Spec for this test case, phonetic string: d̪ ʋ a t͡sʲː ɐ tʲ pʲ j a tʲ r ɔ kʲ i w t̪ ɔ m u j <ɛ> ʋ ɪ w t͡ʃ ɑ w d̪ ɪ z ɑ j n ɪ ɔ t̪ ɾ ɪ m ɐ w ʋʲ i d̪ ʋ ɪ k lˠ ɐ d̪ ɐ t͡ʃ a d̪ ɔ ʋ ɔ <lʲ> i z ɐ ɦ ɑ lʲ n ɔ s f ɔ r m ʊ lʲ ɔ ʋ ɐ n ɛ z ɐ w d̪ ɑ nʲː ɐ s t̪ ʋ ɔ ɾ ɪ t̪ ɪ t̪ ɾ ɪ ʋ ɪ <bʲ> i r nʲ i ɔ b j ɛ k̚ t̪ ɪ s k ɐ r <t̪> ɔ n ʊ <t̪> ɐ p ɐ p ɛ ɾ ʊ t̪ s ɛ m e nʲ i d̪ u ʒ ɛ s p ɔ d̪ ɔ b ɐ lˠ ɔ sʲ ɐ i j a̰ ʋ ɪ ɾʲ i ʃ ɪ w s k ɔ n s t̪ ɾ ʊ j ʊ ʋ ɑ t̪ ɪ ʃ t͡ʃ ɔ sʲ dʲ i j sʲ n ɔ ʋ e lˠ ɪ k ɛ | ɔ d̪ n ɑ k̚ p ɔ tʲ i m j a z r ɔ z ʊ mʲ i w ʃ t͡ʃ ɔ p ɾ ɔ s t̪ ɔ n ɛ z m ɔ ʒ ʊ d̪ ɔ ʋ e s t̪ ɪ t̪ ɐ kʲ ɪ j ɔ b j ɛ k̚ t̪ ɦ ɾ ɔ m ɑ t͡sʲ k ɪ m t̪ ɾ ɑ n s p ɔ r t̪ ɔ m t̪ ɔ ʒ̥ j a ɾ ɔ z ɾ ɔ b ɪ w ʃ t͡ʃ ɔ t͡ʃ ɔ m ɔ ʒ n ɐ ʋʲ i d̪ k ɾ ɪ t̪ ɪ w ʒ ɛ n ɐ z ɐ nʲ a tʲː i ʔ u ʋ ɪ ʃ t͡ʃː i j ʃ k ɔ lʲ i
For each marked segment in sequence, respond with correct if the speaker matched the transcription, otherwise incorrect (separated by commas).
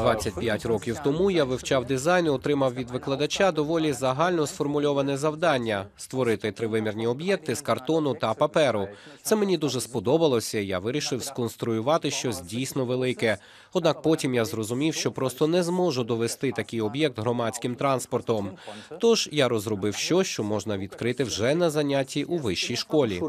incorrect, correct, incorrect, correct, correct